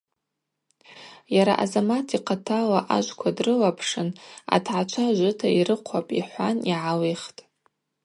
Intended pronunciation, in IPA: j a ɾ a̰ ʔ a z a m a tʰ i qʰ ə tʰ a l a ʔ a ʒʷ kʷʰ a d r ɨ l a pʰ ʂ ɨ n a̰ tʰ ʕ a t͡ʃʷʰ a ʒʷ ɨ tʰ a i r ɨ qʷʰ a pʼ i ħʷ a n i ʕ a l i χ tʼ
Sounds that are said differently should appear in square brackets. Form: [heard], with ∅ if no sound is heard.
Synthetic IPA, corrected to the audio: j a ɾ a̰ ʔ a z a m a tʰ i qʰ [a] tʰ a l a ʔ a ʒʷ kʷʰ a d r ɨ l a pʰ ʂ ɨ n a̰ tʰ ʕ a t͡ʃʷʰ a ʒʷ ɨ tʰ a i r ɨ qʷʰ a pʼ i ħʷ a n i ʕ a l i χ tʼ

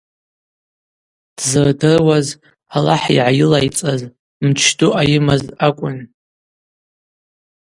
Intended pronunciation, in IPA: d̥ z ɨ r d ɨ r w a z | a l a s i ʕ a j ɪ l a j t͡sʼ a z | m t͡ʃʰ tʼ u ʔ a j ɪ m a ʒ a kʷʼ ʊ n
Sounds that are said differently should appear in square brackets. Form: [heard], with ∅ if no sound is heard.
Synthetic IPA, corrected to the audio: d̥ z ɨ r d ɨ r w a z | a l a [ħ] i ʕ a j ɪ l a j t͡sʼ a z | m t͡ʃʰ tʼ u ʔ a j ɪ m a [z] a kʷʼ ʊ n

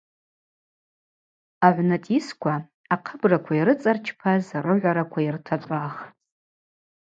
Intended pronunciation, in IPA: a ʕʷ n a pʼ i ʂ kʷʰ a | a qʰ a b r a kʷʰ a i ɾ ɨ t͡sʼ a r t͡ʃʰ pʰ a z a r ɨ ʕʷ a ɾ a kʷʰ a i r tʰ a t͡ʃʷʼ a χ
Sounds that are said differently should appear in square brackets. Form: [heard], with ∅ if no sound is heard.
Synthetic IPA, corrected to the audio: a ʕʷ n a [tʼ] i [s] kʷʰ a | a qʰ [ə] b r a kʷʰ a i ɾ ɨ t͡sʼ a r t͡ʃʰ pʰ a z a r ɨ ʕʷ a ɾ a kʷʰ a i r tʰ a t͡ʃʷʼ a χ

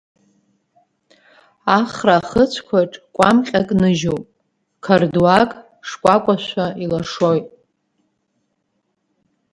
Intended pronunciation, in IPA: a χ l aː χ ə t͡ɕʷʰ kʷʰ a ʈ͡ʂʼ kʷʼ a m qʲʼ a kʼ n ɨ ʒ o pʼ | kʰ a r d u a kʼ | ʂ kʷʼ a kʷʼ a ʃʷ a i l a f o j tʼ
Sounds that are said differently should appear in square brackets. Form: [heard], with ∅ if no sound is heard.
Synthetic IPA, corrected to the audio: a χ [r] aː χ ə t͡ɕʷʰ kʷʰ a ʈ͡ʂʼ kʷʼ a m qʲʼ a kʼ n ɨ ʒ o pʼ | kʰ a r d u a kʼ | ʂ kʷʼ a kʷʼ a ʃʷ a i l a [ʂ] o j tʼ

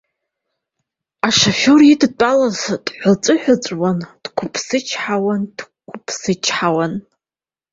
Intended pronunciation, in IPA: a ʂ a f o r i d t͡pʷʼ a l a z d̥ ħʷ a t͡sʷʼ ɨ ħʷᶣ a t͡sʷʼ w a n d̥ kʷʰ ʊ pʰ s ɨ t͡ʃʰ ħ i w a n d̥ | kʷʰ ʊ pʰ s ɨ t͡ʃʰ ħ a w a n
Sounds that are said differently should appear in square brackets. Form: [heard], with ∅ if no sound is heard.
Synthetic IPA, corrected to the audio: a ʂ a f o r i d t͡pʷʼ a l a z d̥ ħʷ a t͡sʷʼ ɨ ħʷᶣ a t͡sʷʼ w a n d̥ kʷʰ ʊ pʰ s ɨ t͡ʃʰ ħ [a] w a n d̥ | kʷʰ ʊ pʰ s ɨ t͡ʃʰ ħ a w a n

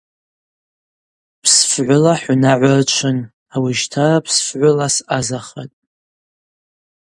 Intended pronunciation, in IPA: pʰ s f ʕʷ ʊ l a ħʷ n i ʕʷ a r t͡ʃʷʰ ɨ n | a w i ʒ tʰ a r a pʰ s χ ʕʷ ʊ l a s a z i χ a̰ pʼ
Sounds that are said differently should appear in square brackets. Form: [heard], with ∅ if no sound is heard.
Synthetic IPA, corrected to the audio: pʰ s f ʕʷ ʊ l a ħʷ n [a] ʕʷ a r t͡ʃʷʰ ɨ n | a w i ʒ tʰ a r a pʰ s [f] ʕʷ ʊ l a s a z [a] χ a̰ [tʼ]

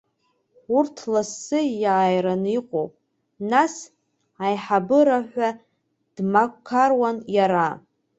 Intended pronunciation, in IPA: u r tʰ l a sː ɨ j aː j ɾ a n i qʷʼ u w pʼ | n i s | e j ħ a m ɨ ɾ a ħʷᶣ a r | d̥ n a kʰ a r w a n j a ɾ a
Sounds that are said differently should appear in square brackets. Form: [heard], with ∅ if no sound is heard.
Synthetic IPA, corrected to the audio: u r tʰ l a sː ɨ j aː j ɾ a n i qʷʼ [o] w pʼ | n [a] s | [a] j ħ a [b] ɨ ɾ a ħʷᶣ a [∅] | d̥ [m] a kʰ a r w a n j a ɾ a

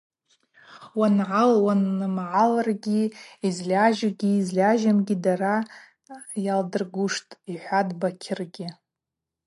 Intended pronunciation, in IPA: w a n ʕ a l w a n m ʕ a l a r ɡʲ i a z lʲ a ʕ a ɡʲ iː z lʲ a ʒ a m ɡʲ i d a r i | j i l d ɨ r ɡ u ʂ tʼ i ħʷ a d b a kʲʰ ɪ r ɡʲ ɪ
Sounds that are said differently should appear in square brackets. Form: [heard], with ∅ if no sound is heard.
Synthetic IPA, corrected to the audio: w a n ʕ a l w a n m ʕ a l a r ɡʲ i [i] z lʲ a [ʒ] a ɡʲ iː z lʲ a ʒ a m ɡʲ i d a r [a] | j [a] l d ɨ r ɡ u ʂ tʼ i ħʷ a d b a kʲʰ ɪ r ɡʲ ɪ

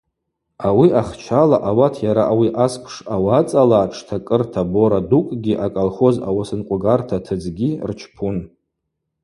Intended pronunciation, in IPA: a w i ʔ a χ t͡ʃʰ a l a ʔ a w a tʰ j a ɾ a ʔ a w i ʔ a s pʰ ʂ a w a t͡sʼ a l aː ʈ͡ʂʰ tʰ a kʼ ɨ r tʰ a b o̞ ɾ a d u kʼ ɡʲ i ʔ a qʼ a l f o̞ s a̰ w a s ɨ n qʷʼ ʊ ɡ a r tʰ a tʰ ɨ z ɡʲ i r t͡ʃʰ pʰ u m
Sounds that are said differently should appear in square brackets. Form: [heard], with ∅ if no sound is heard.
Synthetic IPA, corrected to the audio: a w i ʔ a χ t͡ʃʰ a l a ʔ a w a tʰ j a ɾ a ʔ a w i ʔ a s pʰ ʂ a w a t͡sʼ a l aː ʈ͡ʂʰ tʰ a kʼ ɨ r tʰ a b o̞ ɾ a d u kʼ ɡʲ i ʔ a [kʼ] a l [χ] o̞ [z] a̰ w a s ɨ n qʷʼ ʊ ɡ a r tʰ a tʰ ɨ [d͡z] ɡʲ i r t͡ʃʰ pʰ u [n]

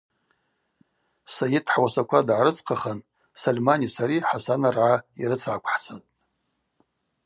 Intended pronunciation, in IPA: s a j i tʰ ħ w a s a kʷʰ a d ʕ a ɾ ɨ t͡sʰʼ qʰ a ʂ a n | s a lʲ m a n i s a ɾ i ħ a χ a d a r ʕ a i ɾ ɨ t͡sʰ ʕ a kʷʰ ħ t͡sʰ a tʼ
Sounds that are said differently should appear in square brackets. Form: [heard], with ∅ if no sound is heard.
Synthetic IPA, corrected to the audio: s a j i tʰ ħ w a s a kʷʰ a d ʕ a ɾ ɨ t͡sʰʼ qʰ a [χ] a n | s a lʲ m a n i s a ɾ i ħ a [s] a [n] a r ʕ a i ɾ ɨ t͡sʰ ʕ a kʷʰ ħ t͡sʰ a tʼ

